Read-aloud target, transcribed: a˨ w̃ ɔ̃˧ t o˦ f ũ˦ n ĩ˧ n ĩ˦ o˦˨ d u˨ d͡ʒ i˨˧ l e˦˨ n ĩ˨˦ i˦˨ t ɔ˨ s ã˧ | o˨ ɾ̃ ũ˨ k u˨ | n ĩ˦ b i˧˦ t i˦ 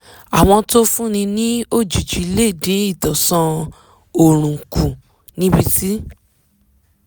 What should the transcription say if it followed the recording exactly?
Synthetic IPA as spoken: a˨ w̃ ɔ̃˧ t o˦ f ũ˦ n ĩ˧ n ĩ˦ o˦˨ d͡ʒ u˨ d͡ʒ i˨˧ l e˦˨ d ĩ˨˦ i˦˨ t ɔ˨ s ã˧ | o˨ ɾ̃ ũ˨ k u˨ | n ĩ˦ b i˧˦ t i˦

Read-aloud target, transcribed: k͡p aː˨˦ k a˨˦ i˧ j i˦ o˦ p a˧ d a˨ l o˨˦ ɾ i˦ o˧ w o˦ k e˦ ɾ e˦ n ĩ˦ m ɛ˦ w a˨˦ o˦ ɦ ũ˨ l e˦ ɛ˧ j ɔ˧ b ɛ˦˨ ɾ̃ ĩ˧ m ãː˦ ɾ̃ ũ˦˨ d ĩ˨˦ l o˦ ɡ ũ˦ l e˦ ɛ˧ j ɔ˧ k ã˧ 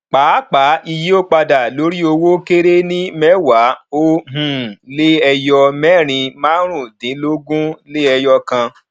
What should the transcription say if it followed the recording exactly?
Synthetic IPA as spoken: k͡p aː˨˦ k͡p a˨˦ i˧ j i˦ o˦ k͡p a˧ d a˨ l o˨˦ ɾ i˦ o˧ w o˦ k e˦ ɾ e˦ n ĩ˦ m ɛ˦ w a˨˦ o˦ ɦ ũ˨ l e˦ ɛ˧ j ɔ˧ m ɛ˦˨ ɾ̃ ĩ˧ m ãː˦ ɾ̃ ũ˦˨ d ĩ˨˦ l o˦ ɡ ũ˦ l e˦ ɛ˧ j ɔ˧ k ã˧

